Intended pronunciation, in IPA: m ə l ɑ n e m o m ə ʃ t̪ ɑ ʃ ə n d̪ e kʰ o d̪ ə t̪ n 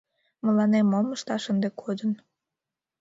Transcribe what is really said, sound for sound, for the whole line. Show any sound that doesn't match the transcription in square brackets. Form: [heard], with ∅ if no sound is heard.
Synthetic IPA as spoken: m ə l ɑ n e m o m ə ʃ t̪ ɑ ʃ ə n d̪ e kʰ o d̪ ə [∅] n